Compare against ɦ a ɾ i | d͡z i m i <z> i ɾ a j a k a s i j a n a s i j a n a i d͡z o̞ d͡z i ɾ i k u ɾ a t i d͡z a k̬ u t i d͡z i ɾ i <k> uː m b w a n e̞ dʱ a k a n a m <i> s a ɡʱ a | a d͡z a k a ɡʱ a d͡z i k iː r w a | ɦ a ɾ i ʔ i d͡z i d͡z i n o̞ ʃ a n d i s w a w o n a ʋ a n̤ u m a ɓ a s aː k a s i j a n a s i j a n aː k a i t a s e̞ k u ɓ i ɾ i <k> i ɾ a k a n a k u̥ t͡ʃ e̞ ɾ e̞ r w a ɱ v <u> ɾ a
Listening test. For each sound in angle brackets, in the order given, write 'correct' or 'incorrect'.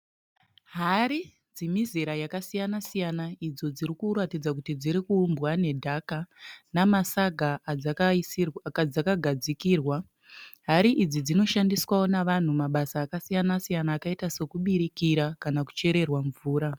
correct, correct, incorrect, correct, incorrect

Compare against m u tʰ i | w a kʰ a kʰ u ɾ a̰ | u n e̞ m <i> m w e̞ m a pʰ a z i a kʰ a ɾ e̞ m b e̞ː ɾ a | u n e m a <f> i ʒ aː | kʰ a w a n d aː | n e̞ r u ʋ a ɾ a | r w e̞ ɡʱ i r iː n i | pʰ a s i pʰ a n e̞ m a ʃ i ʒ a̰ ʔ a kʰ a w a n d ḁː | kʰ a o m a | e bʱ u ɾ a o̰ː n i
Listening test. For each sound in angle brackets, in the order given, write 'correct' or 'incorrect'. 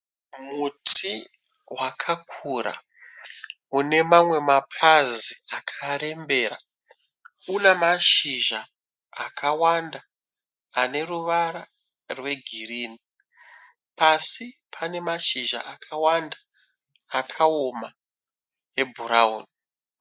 incorrect, incorrect

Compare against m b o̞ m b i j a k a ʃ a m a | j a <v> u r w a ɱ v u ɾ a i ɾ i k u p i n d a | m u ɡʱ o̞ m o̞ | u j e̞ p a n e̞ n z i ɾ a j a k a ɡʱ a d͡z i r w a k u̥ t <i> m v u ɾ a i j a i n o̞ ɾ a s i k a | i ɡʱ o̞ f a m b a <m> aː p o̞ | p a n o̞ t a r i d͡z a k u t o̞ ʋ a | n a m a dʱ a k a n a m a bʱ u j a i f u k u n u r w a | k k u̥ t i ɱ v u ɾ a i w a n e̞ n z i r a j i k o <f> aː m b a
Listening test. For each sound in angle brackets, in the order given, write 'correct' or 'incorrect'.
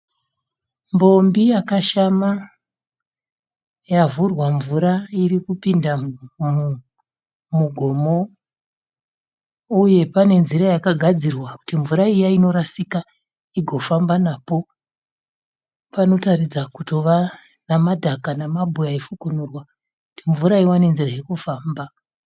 correct, correct, incorrect, correct

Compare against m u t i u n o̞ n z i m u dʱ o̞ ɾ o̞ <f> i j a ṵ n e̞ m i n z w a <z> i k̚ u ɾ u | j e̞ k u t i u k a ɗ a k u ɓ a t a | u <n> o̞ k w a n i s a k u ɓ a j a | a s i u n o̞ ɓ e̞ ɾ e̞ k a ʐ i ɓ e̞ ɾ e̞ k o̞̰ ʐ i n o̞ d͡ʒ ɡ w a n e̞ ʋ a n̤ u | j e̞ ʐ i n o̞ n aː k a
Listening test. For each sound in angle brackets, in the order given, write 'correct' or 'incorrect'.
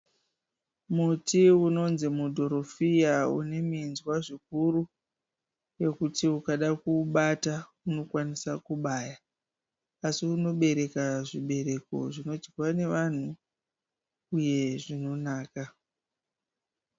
correct, incorrect, correct

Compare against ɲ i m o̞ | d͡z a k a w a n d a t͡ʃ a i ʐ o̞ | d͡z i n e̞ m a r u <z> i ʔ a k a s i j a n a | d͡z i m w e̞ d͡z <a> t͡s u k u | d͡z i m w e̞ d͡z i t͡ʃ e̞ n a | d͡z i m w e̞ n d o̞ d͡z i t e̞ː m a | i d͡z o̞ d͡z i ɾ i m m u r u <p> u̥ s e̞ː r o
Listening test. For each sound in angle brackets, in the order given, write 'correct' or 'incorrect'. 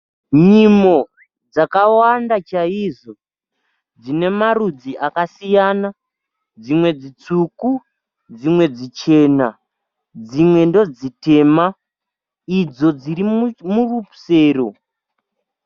incorrect, incorrect, correct

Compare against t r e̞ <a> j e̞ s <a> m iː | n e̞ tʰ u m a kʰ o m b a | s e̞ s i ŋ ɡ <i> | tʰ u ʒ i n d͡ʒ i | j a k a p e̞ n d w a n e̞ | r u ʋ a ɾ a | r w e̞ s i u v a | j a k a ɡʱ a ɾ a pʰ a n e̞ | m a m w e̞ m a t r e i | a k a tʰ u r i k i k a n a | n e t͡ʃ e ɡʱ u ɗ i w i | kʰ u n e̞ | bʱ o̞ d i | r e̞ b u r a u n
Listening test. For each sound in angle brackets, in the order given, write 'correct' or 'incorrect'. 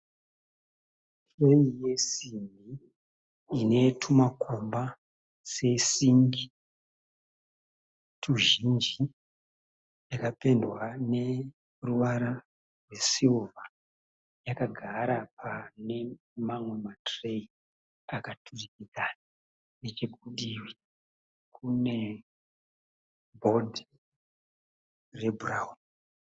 incorrect, incorrect, correct

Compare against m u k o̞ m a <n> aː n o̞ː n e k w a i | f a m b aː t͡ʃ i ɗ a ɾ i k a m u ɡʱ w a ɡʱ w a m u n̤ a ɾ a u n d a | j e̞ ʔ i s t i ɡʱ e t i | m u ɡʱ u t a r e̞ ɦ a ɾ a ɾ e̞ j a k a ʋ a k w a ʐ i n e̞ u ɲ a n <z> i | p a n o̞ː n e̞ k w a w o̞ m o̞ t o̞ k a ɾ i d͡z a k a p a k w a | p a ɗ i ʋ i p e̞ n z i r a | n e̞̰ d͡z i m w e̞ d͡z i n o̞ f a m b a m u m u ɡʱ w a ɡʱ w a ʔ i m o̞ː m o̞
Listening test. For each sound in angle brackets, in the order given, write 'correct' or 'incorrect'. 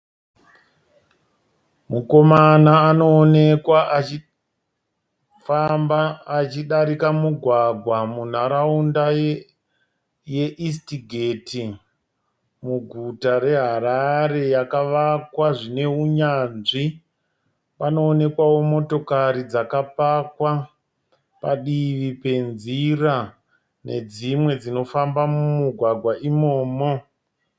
correct, incorrect

